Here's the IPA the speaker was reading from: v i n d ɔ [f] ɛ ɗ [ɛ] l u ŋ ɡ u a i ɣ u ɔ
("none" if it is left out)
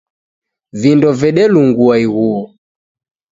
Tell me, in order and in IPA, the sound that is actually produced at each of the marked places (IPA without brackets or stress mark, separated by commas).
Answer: v, ɛ